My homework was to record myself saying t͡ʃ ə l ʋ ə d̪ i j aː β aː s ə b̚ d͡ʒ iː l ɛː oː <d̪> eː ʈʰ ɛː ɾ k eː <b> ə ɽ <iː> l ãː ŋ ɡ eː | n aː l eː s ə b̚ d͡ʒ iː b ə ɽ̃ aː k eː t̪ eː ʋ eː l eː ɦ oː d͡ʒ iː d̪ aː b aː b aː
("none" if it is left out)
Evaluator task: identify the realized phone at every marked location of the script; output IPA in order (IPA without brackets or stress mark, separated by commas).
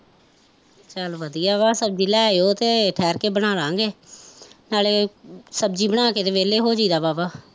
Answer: t̪, b, aː